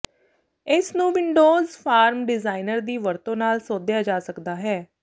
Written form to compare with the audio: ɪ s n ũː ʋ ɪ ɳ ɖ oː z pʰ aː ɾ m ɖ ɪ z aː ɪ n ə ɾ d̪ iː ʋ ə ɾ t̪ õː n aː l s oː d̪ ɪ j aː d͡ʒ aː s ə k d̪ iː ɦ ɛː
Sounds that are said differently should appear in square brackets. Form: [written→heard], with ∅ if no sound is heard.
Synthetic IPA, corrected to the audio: ɪ s n ũː ʋ ɪ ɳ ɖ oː z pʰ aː ɾ m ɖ ɪ z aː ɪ n ə ɾ d̪ iː ʋ ə ɾ t̪ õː n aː l s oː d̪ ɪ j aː d͡ʒ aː s ə k d̪ [iː→aː] ɦ ɛː